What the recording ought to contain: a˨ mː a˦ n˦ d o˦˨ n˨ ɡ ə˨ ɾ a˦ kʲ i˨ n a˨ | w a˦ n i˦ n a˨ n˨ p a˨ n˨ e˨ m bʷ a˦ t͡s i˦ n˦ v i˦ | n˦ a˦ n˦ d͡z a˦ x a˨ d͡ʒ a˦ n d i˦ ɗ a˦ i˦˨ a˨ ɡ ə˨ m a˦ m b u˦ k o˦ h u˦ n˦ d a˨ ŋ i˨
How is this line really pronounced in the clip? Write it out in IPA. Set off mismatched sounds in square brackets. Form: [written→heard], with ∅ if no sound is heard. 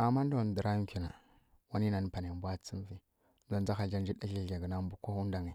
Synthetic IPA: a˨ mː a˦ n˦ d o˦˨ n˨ [ɡ→d] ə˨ ɾ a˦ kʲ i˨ n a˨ | w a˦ n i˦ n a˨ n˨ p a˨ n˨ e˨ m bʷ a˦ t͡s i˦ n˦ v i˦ | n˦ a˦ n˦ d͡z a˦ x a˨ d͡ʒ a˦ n [d→d͡ʒ] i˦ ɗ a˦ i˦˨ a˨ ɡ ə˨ [m→n] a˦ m b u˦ k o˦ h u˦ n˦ d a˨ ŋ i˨